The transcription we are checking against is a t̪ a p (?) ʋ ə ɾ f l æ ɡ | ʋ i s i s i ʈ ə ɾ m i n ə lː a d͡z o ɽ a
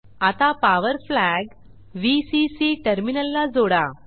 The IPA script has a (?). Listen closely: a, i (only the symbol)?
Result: a